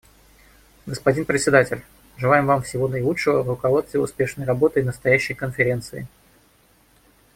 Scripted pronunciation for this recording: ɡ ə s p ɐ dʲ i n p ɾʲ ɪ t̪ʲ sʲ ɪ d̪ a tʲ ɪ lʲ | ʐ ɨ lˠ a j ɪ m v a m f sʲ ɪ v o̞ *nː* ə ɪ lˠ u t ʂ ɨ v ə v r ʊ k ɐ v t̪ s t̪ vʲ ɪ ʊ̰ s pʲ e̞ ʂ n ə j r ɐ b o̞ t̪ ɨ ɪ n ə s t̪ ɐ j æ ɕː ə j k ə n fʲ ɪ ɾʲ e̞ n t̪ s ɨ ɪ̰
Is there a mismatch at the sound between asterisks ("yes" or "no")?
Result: yes